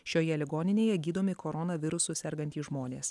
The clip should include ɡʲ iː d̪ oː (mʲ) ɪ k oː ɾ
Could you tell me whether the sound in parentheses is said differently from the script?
no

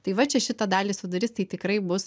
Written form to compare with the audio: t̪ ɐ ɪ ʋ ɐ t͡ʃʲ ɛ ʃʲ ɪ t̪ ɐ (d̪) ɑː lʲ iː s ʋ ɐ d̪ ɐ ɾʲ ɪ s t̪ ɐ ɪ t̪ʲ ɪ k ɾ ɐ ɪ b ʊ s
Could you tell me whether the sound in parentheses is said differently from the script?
no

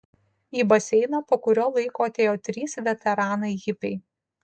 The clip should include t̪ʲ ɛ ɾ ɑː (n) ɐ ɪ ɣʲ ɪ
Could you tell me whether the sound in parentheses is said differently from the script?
no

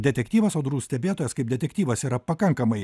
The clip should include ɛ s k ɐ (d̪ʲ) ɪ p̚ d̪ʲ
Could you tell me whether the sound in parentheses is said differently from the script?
yes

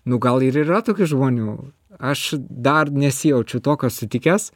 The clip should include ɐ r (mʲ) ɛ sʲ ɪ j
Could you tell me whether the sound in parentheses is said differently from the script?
yes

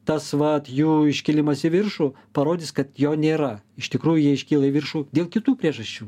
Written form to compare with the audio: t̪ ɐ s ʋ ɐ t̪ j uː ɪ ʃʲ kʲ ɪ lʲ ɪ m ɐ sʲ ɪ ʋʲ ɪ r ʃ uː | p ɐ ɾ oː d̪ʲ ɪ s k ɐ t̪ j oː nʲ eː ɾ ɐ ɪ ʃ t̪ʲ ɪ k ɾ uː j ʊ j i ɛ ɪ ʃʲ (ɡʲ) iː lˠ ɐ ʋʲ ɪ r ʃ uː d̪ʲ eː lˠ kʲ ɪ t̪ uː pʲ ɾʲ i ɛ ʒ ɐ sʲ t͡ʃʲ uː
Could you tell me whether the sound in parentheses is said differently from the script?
yes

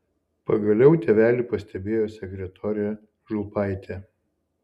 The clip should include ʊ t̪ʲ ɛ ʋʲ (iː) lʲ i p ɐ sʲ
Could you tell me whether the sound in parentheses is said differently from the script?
yes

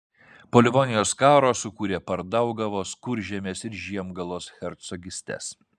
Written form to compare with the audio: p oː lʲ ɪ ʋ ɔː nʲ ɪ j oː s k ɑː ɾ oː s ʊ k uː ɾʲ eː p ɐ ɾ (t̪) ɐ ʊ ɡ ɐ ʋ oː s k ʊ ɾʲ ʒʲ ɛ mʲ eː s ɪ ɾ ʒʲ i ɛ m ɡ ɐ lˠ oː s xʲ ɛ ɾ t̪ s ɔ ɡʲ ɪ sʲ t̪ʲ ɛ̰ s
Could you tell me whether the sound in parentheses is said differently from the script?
yes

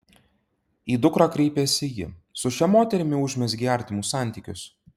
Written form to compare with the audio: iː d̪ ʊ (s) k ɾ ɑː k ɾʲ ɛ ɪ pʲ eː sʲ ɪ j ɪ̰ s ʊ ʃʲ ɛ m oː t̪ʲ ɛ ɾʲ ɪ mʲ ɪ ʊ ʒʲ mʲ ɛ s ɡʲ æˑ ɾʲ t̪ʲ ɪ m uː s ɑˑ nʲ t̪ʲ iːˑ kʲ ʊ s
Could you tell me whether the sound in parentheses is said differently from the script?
yes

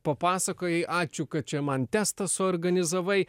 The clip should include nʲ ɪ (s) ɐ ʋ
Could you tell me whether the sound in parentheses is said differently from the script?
yes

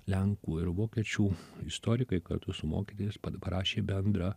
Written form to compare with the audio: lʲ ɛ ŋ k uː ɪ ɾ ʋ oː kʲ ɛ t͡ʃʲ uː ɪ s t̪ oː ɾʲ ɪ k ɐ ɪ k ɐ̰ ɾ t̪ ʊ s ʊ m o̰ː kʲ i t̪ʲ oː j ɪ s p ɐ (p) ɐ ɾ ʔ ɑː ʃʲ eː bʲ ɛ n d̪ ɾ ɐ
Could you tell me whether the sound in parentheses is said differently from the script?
no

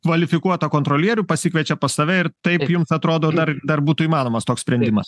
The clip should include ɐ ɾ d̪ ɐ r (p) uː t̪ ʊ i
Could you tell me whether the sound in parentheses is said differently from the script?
yes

